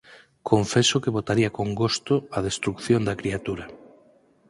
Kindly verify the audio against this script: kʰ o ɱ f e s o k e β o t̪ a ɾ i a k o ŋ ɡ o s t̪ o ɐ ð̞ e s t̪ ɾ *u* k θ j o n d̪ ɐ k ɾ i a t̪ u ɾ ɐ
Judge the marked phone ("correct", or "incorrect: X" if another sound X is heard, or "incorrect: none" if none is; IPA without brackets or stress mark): correct